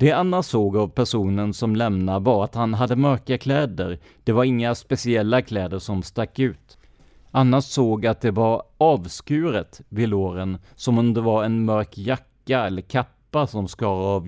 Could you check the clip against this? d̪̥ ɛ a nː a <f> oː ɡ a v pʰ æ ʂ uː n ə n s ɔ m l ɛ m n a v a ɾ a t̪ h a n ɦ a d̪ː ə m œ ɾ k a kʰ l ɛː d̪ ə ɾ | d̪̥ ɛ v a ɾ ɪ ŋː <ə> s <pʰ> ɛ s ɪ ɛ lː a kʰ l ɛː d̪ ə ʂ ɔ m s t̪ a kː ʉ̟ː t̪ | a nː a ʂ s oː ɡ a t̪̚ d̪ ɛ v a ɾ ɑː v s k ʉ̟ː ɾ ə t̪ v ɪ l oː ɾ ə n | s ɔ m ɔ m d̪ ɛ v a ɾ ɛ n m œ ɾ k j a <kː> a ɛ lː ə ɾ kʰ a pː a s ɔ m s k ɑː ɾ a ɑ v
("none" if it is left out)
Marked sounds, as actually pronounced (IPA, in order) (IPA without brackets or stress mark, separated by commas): s, a, p, kː